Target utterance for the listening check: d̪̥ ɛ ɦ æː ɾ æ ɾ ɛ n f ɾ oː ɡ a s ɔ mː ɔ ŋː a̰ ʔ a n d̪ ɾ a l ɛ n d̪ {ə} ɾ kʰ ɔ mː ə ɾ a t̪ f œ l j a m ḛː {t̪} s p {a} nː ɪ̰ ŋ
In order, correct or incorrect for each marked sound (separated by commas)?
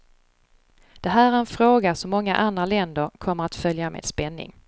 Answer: correct, incorrect, incorrect